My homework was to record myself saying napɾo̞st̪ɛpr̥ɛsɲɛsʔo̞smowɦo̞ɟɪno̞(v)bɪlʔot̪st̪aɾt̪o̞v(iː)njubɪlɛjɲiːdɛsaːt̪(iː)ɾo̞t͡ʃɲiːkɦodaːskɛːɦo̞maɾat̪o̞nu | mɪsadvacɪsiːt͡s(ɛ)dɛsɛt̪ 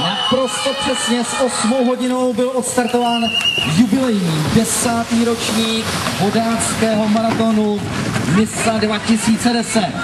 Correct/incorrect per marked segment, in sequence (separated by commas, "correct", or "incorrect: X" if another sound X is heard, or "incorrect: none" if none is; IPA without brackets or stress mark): incorrect: w, incorrect: aː, correct, correct